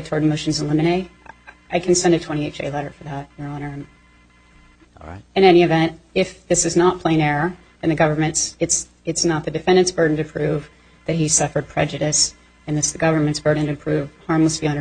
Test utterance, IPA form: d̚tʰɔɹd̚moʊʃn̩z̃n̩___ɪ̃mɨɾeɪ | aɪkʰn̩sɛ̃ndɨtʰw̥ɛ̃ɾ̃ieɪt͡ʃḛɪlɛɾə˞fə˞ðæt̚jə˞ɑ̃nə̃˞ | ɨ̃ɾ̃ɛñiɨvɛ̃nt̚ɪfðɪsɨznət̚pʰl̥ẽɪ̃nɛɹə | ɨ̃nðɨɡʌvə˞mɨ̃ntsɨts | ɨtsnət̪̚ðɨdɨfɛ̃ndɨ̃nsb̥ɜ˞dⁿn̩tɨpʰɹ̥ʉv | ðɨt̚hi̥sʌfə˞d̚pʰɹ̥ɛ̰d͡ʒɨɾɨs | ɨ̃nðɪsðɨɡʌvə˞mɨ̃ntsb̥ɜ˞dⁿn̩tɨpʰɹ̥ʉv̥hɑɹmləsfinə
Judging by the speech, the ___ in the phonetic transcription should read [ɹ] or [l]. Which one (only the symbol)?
l